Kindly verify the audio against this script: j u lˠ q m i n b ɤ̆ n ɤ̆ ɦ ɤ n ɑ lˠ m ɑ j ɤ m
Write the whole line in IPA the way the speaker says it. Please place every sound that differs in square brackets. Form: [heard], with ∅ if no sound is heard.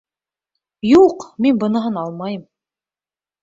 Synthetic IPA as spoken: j u [∅] q m i n b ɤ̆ n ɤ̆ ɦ ɤ n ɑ lˠ m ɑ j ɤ m